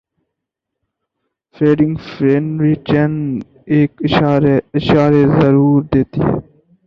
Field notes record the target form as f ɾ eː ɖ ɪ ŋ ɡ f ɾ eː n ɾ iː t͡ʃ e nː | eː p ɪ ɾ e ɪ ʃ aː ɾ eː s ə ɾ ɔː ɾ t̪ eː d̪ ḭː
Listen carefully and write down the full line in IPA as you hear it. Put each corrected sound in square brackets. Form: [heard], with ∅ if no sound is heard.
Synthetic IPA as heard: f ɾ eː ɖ ɪ ŋ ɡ f ɾ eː n ɾ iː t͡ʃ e [n] | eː [k] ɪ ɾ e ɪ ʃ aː ɾ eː [z] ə ɾ [uː] ɾ [d̪] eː [t̪] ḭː